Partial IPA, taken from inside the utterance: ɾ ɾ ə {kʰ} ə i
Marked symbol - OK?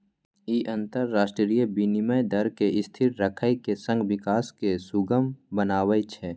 yes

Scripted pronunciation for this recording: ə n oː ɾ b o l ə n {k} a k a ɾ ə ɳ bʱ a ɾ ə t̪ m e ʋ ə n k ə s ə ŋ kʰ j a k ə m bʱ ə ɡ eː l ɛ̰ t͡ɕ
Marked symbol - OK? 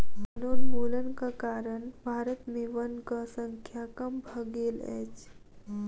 yes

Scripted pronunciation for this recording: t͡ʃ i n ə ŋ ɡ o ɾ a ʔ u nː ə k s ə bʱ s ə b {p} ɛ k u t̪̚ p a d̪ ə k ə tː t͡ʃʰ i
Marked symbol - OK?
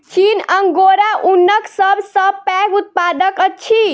yes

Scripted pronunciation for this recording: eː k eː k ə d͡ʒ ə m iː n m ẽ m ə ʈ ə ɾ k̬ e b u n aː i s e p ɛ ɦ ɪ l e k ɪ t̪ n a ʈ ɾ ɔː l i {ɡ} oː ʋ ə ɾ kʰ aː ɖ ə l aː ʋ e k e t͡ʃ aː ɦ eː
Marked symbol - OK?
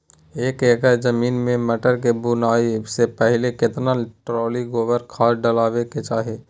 yes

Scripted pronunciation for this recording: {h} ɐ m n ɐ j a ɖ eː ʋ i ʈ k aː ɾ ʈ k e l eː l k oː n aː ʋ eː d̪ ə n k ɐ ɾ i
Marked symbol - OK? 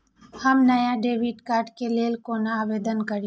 yes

